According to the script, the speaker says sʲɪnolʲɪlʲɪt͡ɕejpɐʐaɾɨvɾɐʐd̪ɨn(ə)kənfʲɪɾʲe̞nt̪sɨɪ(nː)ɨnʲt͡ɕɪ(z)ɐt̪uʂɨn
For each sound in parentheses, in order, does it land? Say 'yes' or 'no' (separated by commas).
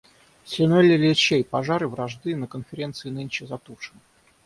yes, no, yes